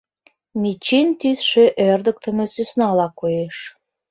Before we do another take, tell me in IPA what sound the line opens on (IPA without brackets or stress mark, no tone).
m